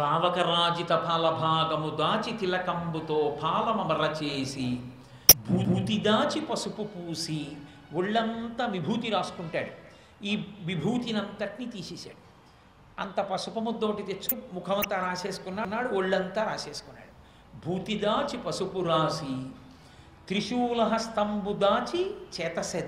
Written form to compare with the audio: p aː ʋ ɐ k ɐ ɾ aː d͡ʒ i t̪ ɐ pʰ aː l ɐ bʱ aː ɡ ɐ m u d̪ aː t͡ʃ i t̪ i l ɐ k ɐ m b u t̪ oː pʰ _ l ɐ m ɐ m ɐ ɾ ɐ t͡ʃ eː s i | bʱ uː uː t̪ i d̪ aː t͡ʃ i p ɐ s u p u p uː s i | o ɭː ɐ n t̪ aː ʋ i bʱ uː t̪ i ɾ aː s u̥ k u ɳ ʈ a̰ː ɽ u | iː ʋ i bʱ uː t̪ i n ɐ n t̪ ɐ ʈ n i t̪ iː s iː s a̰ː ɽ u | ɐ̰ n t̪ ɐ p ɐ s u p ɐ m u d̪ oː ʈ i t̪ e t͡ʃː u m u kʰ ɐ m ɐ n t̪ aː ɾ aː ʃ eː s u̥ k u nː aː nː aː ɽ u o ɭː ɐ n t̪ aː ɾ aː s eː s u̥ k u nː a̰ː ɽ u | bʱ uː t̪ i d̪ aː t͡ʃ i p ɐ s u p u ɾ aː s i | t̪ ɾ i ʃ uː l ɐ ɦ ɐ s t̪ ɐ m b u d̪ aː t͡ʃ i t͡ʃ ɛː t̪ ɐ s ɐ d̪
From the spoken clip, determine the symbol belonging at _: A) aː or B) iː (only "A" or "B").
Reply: A